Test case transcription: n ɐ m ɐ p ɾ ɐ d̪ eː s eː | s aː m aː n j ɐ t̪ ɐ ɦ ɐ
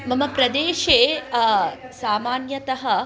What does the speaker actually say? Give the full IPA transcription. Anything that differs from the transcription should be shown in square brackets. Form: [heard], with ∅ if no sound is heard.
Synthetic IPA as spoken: [m] ɐ m ɐ p ɾ ɐ d̪ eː [ʃ] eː | s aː m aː n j ɐ t̪ ɐ ɦ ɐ